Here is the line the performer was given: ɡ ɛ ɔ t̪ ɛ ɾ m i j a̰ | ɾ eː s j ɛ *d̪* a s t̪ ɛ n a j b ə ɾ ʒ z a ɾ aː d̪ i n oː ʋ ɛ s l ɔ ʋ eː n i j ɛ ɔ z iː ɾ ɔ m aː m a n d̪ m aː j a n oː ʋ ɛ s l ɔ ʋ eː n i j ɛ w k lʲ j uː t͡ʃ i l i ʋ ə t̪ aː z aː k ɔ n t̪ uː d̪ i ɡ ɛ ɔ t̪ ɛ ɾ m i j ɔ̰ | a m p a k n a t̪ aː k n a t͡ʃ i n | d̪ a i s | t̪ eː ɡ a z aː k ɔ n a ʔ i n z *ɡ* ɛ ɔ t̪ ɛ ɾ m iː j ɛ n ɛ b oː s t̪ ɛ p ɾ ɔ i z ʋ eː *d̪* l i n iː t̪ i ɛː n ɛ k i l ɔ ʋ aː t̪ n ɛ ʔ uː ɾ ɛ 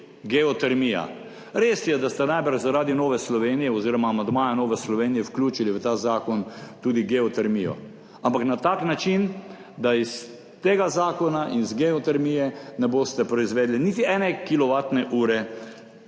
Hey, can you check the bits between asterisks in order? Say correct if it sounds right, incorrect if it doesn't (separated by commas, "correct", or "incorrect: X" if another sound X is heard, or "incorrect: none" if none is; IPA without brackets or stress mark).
correct, correct, correct